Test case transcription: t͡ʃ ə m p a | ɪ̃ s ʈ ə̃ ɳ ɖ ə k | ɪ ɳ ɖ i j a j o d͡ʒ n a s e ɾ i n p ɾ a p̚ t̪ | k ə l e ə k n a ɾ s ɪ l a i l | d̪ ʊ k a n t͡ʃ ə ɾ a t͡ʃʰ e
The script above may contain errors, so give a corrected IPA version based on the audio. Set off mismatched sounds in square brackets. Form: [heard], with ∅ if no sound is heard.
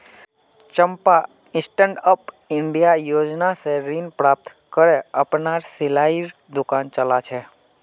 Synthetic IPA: t͡ʃ ə m p a | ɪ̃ s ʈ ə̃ ɳ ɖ ə [p] | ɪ ɳ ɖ i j a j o d͡ʒ n a s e ɾ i n p ɾ a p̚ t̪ | k ə [ɾ] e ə [p] n a ɾ s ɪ l a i [ɾ] | d̪ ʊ k a n t͡ʃ ə [l] a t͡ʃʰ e